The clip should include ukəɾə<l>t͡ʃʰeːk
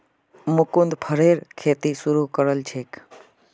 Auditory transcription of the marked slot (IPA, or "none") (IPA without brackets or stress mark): l